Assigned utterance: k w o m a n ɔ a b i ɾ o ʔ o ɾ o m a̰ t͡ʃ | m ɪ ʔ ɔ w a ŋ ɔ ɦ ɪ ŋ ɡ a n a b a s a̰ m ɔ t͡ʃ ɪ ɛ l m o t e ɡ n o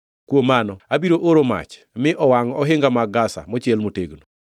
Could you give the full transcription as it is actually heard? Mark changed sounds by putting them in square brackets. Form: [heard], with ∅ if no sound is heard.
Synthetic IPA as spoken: k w o m a n ɔ a b i ɾ o ʔ o ɾ o m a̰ t͡ʃ | m ɪ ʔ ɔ w a ŋ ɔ ɦ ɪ ŋ ɡ a [m] a [ɡ] a s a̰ m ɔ t͡ʃ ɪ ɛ l m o t e ɡ n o